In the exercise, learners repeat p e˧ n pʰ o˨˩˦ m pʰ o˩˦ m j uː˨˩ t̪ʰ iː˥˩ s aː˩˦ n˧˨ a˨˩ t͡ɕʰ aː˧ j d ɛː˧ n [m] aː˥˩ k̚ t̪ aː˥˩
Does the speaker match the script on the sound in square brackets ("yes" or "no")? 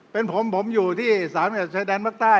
yes